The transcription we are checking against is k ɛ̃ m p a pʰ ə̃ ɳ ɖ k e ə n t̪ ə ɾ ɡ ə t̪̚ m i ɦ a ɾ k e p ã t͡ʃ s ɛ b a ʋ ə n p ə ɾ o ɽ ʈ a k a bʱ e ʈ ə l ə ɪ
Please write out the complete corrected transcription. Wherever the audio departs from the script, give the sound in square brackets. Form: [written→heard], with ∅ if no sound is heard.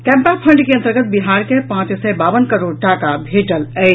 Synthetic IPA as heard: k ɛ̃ m p a pʰ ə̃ ɳ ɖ k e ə n t̪ ə ɾ ɡ ə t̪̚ [m→b] i ɦ a ɾ k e p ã t͡ʃ s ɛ b a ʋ ə n [p→k] ə ɾ o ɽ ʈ a k a bʱ e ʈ ə l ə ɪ